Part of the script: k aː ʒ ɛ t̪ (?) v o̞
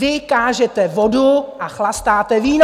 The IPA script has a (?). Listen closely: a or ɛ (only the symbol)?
ɛ